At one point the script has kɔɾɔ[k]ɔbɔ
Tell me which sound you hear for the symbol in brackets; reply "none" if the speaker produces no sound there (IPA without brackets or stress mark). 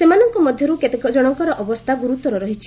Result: ʔ